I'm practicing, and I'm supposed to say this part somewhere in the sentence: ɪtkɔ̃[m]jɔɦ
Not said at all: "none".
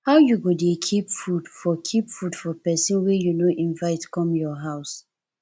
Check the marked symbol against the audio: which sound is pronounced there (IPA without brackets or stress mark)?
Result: m